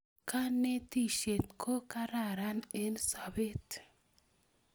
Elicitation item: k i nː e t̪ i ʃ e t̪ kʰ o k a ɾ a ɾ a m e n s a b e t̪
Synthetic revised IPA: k a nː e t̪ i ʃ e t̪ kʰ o k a ɾ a ɾ a n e n s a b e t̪